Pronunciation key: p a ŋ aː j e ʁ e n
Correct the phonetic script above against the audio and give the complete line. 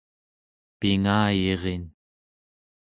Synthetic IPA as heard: p i ŋ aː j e ʁ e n